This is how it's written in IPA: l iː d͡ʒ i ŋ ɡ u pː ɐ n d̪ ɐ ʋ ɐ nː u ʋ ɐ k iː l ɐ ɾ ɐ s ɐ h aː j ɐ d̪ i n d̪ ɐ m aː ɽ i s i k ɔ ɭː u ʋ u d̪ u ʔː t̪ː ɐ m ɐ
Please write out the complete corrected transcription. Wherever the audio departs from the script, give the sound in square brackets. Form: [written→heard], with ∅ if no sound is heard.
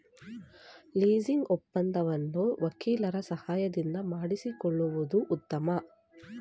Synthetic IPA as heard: l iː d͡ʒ i ŋ ɡ [u→ɔ] pː ɐ n d̪ ɐ ʋ ɐ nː u ʋ ɐ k iː l ɐ ɾ ɐ s ɐ h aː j ɐ d̪ i n d̪ ɐ m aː ɽ i s i k ɔ ɭː u ʋ u d̪ u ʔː t̪ː ɐ m ɐ